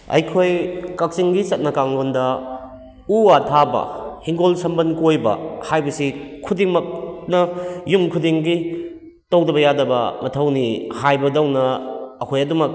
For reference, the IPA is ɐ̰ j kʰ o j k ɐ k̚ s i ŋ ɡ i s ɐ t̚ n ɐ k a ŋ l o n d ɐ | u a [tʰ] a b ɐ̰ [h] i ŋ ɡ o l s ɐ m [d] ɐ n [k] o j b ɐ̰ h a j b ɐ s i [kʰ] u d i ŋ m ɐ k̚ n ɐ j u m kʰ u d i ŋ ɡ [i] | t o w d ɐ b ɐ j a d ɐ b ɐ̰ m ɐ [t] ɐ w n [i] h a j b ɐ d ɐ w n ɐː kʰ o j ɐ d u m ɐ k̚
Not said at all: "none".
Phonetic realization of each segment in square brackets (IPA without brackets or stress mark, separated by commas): tʰ, h, b, k, kʰ, i, tʰ, i